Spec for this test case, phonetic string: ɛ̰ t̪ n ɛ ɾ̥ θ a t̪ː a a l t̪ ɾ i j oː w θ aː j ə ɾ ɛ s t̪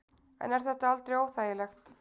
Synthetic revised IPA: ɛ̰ n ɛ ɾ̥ θ ɛ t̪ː a a l t̪ ɾ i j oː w θ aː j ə l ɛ x t̪